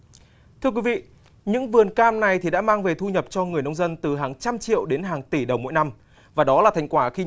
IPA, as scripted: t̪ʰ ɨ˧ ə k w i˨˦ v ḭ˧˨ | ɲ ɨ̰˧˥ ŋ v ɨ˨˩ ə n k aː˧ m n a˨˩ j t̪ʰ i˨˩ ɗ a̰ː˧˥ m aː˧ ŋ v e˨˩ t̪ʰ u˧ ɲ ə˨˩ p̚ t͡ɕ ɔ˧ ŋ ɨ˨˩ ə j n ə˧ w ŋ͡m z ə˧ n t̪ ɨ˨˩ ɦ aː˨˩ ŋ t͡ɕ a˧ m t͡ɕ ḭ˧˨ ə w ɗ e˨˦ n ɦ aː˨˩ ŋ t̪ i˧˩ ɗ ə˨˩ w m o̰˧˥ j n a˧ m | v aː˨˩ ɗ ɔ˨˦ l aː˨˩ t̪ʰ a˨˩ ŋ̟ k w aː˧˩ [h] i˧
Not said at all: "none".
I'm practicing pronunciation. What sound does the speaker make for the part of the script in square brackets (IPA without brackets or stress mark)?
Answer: x